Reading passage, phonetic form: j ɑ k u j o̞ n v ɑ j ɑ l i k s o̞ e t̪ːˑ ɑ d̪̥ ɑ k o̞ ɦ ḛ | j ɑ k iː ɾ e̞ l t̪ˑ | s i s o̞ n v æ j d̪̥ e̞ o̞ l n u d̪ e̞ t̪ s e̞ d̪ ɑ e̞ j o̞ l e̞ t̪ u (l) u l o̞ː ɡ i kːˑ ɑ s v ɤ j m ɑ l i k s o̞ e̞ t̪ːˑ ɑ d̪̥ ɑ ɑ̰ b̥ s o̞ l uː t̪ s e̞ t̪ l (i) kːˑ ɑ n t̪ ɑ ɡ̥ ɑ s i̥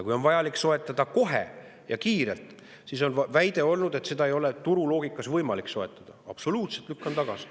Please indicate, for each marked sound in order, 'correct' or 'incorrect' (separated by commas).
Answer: incorrect, incorrect